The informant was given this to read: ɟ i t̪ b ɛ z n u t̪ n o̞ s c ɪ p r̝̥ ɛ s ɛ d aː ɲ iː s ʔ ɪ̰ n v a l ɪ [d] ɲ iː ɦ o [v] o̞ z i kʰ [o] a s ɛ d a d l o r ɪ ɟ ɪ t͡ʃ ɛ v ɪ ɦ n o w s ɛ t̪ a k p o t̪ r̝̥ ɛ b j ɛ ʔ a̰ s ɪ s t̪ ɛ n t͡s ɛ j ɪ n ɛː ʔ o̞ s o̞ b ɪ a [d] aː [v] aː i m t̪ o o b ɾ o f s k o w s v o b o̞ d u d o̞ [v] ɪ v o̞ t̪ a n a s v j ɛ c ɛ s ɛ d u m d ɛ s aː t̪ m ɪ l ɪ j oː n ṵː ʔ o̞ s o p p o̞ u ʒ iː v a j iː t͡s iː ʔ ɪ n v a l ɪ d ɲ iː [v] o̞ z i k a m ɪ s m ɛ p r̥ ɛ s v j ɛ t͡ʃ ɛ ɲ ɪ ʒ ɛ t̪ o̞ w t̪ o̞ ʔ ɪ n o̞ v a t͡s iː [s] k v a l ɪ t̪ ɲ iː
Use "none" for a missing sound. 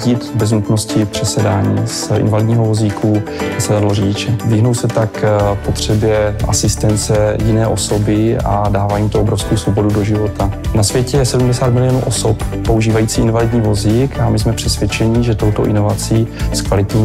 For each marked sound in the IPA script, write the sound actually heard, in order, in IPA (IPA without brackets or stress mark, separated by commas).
d, v, u, d, v, ʒ, v, s